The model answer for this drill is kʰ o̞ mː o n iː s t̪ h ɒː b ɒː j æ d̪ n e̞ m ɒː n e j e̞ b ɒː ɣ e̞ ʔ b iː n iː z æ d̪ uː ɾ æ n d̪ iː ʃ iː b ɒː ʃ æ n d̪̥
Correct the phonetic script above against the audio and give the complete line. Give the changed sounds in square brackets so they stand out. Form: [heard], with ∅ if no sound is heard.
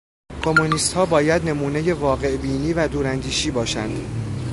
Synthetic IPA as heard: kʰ o̞ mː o n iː s t̪ h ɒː b ɒː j æ d̪ n e̞ m [uː] n e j e̞ [v] ɒː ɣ e̞ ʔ b iː n iː [v] æ d̪ uː ɾ æ n d̪ iː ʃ iː b ɒː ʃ æ n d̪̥